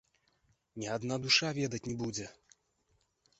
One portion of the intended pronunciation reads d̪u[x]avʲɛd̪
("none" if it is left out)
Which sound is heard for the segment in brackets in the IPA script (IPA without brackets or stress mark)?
ʂ